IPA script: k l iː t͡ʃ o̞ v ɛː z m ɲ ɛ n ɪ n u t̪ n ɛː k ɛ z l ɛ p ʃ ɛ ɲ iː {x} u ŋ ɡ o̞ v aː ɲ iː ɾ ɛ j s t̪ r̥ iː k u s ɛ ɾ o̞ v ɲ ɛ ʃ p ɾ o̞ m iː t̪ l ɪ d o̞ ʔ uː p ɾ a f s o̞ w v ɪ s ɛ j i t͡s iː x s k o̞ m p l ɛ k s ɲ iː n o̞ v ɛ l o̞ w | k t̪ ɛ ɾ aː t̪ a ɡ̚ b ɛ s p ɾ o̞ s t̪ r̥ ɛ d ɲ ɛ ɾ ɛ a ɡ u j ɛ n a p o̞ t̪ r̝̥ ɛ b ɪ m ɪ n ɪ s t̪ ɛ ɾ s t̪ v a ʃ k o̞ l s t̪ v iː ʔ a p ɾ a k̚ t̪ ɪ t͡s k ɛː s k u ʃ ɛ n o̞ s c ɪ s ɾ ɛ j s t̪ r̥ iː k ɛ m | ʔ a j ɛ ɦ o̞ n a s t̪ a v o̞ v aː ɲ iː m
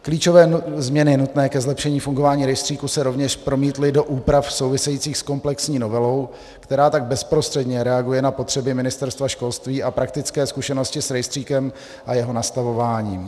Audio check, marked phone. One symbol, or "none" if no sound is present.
f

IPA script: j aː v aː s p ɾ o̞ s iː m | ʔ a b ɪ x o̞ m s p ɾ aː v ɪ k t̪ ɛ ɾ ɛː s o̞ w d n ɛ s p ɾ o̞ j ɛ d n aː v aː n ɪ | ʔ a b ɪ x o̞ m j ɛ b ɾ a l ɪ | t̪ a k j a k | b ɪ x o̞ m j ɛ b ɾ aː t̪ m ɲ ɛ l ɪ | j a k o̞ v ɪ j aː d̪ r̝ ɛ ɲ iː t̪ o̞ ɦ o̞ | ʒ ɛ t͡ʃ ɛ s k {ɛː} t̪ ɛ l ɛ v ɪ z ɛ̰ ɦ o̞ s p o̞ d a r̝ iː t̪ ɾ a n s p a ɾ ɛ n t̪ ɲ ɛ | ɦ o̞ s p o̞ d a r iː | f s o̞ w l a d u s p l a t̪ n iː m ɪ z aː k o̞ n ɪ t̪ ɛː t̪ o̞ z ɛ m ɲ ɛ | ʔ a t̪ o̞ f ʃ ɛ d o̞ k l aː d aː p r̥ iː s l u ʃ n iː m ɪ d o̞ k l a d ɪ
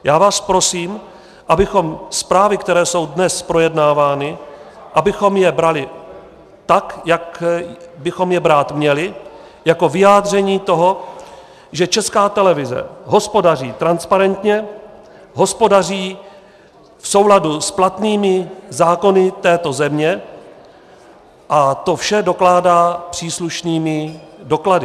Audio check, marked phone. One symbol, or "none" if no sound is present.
aː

